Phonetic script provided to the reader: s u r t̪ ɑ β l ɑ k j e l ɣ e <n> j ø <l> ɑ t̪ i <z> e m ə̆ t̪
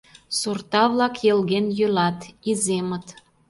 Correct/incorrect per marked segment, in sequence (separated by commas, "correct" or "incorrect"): correct, correct, correct